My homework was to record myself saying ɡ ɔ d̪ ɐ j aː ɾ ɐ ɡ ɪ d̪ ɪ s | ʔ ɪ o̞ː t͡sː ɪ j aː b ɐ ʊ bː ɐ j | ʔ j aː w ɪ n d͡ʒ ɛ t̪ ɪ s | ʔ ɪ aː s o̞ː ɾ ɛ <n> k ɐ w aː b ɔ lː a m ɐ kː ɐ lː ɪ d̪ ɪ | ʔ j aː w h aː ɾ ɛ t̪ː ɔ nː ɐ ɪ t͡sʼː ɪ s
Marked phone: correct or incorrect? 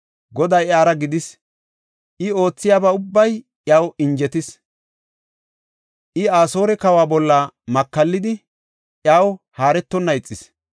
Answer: incorrect